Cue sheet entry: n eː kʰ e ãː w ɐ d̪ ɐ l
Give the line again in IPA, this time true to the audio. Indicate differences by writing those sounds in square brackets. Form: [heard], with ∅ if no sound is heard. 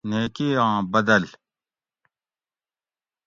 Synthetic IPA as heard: n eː [k] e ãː [b] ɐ d̪ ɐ l